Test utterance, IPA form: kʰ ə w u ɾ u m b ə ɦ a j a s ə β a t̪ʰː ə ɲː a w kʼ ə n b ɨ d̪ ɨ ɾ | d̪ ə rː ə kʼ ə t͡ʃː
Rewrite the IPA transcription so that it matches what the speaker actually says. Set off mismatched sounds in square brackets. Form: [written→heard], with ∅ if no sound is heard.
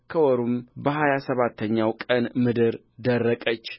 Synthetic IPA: kʰ ə w [u→ɔ] ɾ u m b ə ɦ a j a s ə β a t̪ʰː ə ɲː a w kʼ ə n [b→m] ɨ d̪ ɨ ɾ | d̪ ə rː ə kʼ ə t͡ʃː